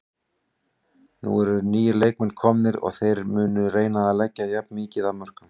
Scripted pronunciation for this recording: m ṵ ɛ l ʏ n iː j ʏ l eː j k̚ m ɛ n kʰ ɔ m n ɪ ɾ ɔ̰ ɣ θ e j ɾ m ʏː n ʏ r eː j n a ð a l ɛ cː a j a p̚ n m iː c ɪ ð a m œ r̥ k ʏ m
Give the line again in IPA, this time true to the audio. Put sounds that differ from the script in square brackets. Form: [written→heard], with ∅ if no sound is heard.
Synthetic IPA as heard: [m→n] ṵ ɛ [l→ɾ] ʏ n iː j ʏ l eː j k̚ m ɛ n kʰ ɔ m n ɪ ɾ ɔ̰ ɣ θ e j ɾ m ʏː n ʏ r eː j n a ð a l ɛ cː a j a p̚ n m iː c ɪ ð a m œ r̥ k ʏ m

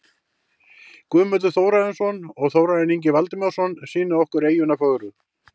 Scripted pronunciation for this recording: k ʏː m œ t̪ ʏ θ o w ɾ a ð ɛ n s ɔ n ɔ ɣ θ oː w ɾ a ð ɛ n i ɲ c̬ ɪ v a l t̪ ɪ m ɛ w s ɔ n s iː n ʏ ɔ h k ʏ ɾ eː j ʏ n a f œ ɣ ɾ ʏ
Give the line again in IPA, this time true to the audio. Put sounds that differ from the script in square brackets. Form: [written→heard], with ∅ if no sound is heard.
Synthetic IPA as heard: k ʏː m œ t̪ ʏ θ o w ɾ a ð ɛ n s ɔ n ɔ ɣ θ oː w ɾ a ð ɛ n i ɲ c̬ ɪ v a l t̪ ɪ m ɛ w s ɔ n s iː n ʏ ɔ h k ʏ ɾ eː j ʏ n a f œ ɣ ɾ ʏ

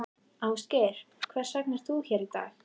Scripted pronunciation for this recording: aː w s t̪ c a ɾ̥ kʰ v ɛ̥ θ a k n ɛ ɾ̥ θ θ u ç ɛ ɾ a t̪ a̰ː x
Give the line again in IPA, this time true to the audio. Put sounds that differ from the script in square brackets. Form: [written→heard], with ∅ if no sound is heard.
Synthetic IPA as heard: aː w s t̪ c [a→ɛ] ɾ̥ kʰ v ɛ̥ [θ→s] a k n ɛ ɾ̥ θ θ u ç ɛ ɾ [a→i] t̪ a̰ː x

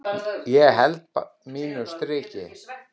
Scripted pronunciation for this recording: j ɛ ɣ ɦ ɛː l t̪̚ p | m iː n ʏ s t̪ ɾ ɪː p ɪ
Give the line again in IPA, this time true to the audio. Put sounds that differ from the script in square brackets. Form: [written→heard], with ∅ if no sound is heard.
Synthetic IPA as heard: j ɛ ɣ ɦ [ɛː→ɛ] l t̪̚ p | m iː n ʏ s t̪ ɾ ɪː [p→c] ɪ

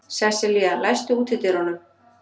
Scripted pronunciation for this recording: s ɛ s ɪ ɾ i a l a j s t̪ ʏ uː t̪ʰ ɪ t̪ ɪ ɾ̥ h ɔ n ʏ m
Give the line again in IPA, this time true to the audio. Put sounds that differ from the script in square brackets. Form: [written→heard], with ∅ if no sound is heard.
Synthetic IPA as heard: s ɛ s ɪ [ɾ→l] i a l a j s t̪ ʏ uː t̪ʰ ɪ t̪ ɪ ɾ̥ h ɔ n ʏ m

